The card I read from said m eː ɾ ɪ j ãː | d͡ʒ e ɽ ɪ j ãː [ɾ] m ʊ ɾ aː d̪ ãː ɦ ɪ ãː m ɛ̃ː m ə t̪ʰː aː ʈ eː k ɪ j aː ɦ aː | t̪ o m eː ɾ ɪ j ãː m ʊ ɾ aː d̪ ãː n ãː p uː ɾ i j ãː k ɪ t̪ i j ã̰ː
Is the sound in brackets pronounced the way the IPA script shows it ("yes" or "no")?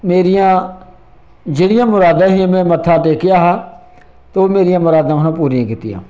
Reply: no